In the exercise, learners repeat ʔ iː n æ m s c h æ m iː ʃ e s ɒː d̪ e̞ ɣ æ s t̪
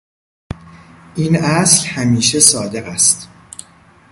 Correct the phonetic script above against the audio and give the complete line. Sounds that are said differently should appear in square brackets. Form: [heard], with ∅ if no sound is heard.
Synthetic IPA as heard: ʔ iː n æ [∅] s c h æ m iː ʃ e s ɒː d̪ e̞ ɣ æ s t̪